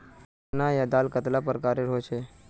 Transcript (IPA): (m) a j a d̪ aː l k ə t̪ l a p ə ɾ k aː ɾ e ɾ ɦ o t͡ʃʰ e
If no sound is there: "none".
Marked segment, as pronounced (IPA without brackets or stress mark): n